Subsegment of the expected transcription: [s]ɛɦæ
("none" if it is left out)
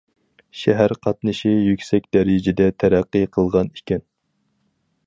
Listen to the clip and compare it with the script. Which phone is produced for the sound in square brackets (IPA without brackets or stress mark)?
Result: ʃ